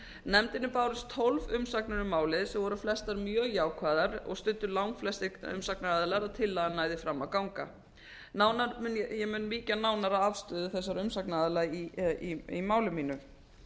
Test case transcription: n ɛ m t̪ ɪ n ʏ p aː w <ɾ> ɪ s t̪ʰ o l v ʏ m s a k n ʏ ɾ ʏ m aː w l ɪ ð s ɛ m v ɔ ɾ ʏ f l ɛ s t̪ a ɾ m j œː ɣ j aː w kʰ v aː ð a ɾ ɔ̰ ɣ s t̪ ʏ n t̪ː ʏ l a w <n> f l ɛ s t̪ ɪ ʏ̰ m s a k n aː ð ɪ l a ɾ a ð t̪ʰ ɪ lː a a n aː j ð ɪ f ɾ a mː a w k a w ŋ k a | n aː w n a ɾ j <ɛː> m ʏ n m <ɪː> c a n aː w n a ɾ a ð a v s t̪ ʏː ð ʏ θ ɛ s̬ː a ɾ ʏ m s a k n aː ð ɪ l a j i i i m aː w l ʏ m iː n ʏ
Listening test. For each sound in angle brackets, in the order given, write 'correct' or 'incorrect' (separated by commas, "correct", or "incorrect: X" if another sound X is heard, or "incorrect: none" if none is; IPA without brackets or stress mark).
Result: correct, incorrect: ŋ, incorrect: ɛ, incorrect: iː